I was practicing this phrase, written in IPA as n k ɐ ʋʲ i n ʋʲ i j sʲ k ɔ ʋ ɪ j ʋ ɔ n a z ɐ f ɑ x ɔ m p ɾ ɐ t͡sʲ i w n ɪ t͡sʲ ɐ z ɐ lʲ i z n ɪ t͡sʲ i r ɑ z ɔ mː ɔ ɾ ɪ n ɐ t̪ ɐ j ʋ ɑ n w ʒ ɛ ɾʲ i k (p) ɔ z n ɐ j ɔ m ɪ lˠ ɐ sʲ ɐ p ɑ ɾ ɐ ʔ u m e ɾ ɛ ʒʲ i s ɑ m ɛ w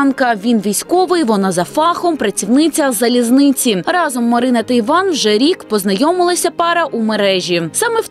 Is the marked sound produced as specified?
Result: yes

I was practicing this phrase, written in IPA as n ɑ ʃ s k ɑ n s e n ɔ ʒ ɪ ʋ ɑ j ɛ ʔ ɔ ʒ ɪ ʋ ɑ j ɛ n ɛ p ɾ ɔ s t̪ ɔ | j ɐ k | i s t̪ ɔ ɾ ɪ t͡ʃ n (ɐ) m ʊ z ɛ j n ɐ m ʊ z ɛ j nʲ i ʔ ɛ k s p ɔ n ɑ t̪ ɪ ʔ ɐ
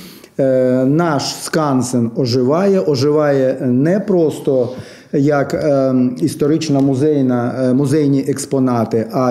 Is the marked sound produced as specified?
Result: yes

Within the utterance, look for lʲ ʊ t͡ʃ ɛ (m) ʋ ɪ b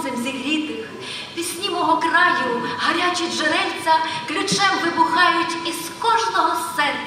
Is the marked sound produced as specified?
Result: yes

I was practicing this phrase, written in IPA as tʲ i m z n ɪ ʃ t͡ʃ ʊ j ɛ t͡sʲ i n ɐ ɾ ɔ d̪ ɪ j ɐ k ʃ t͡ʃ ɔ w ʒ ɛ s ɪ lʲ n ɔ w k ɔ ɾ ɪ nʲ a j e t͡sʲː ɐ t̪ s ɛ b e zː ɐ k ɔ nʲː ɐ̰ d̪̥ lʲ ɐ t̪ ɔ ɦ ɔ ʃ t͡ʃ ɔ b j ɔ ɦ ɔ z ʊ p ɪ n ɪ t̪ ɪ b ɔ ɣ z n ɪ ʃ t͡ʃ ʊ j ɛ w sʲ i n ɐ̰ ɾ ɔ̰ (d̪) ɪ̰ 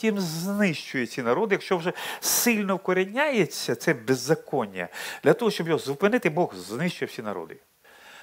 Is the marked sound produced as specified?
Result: yes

